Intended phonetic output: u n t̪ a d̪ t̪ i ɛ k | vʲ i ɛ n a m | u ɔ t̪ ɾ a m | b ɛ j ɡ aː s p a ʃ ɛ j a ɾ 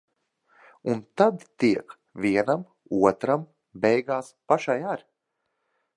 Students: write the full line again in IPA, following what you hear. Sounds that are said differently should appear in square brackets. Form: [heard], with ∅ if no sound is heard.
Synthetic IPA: u n t̪ a d̪ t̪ i ɛ k | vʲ i ɛ n a m | u ɔ t̪ ɾ a m | b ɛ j ɡ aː s p a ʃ [a] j a ɾ